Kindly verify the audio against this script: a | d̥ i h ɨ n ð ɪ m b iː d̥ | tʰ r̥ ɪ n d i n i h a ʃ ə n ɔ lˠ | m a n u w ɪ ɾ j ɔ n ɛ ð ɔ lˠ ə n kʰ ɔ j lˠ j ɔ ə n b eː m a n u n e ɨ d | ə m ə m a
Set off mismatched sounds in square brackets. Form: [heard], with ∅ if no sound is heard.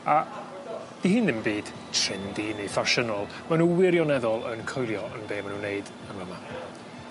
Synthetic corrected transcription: a | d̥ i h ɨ n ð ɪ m b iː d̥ | tʰ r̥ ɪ n d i n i [f] a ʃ ə n ɔ lˠ | m a n u w ɪ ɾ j ɔ n ɛ ð ɔ lˠ ə n kʰ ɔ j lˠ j ɔ ə n b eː m a n u n e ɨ d | ə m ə m a